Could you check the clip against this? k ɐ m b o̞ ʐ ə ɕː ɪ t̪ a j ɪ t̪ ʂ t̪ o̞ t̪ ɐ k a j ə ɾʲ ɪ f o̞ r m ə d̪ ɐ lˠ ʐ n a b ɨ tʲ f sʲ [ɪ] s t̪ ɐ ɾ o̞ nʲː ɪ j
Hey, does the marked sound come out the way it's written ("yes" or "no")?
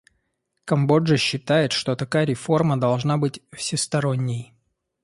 yes